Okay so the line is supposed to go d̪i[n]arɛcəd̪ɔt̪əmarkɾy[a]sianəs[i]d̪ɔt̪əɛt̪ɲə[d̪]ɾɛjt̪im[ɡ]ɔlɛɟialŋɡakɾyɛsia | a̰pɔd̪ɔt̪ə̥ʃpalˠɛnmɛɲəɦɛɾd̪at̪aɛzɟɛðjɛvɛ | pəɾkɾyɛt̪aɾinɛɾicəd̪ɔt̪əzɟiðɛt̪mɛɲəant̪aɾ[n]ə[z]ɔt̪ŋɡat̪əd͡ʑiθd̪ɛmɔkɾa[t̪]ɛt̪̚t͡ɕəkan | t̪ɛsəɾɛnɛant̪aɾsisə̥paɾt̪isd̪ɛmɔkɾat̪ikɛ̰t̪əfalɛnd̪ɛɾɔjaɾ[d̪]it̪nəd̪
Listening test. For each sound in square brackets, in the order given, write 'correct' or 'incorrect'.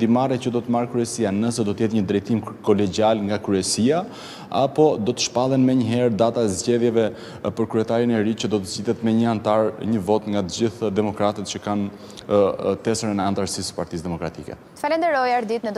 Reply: incorrect, incorrect, incorrect, correct, incorrect, incorrect, incorrect, correct, correct

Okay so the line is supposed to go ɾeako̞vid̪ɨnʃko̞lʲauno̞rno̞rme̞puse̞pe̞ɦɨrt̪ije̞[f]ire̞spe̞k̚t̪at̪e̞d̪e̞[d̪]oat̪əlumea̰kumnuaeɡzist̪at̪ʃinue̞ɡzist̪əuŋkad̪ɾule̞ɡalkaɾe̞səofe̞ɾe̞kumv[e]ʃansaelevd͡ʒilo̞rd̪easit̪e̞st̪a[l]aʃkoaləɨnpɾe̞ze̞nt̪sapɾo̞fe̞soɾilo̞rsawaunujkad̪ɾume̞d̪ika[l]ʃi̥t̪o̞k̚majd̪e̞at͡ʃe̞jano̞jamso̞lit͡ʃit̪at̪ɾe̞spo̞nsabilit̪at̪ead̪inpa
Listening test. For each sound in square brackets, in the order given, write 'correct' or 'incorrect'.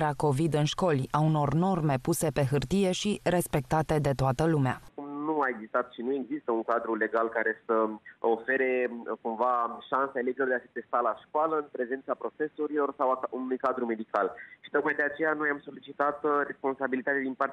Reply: incorrect, incorrect, incorrect, correct, correct

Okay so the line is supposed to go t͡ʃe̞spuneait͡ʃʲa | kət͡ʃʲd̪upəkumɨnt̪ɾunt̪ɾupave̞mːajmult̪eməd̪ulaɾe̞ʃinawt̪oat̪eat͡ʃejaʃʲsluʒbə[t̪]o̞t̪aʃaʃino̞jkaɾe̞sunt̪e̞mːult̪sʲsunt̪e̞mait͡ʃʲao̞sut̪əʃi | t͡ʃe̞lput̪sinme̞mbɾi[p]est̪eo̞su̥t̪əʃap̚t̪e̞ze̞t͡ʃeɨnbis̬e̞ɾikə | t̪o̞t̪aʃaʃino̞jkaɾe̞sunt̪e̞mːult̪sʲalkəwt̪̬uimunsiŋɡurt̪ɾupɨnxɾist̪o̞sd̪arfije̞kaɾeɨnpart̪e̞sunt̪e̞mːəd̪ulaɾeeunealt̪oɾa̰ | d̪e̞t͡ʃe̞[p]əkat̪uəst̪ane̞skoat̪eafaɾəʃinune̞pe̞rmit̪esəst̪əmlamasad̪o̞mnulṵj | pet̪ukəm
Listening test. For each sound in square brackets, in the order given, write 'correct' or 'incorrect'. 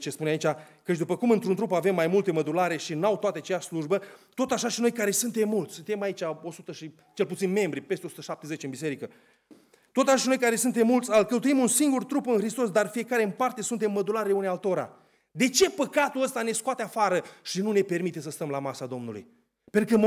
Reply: correct, correct, correct

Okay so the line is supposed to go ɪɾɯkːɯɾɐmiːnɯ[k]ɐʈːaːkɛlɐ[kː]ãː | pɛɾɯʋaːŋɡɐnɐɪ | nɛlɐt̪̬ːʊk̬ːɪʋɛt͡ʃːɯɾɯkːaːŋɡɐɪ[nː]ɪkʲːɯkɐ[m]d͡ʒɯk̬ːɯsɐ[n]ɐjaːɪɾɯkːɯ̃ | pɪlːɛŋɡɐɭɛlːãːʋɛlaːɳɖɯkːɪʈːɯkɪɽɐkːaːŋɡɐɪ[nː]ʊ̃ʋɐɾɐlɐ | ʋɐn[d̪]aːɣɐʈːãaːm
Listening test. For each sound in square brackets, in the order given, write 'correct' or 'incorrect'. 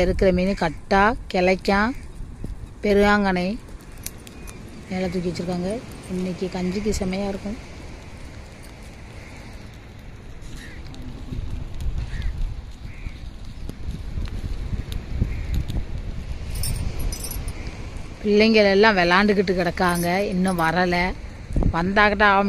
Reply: correct, correct, correct, incorrect, incorrect, correct, correct

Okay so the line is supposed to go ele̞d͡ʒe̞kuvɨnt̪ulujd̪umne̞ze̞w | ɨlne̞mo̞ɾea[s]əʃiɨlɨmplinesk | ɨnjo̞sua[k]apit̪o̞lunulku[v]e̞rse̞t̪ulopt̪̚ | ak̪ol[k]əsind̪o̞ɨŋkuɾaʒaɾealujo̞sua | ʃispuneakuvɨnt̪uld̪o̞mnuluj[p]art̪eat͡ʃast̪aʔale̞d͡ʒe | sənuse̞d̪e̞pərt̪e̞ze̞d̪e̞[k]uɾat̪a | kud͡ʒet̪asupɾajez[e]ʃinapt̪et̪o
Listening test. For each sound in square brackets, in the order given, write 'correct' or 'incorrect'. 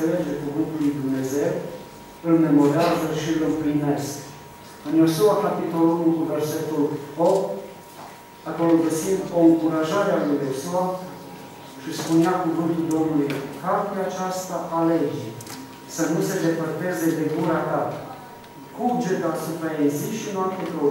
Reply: incorrect, correct, correct, incorrect, incorrect, incorrect, incorrect

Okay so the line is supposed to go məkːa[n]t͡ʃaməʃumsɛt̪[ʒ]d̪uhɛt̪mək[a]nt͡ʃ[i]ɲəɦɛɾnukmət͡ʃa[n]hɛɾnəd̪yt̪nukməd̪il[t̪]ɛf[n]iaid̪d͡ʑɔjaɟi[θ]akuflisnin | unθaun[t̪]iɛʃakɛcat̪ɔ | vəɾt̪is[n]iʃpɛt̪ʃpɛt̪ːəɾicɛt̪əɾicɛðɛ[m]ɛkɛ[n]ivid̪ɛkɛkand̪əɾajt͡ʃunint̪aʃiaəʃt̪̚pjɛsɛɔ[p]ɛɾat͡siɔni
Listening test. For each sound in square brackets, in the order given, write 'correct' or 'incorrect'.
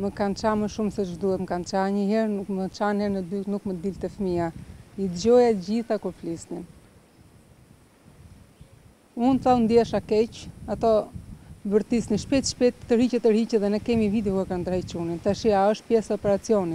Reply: correct, correct, correct, incorrect, correct, correct, incorrect, correct, incorrect, correct, incorrect, incorrect, correct

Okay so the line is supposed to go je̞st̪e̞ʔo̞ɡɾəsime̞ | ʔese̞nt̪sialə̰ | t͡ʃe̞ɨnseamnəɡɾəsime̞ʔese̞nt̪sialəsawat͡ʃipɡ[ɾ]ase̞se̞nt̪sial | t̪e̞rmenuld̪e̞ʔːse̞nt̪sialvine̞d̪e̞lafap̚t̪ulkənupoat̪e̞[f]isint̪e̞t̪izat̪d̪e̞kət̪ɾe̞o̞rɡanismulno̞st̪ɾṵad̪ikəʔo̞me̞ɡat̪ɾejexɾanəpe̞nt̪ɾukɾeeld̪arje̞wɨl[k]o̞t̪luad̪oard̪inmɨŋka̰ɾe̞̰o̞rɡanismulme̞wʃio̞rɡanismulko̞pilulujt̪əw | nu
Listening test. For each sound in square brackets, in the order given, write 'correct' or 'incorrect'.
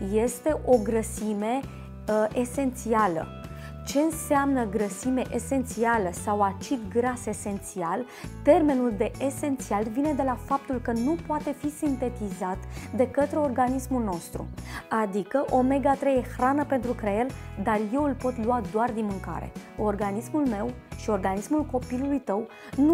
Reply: correct, correct, incorrect

